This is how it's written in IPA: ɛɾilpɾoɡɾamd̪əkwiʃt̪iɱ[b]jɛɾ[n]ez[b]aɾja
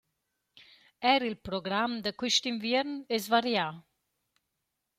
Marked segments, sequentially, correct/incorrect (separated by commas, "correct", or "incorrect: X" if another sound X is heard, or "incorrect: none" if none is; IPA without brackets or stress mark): incorrect: v, correct, incorrect: v